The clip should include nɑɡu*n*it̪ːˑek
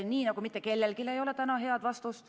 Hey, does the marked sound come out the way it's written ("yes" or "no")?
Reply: no